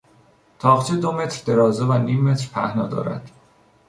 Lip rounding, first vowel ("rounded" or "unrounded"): rounded